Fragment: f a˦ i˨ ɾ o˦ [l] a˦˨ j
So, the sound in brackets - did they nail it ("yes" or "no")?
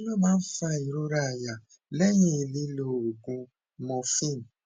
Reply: no